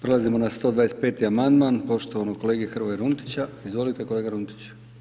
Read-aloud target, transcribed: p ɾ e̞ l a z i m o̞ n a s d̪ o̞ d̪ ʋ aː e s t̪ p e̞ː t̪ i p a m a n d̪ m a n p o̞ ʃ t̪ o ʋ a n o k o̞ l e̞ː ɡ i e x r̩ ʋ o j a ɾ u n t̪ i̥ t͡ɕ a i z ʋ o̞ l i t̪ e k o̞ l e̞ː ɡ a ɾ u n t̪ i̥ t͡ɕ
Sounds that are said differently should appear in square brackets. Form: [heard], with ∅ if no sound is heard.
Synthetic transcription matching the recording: p ɾ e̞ l a z i m o̞ n a s [t̪] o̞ d̪ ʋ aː e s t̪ p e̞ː t̪ i [∅] a m a n d̪ m a n p o̞ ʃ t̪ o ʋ a n o k o̞ l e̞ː ɡ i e x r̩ ʋ o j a ɾ u n t̪ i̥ t͡ɕ a i z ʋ o̞ l i t̪ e k o̞ l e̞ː ɡ a ɾ u n t̪ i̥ t͡ɕ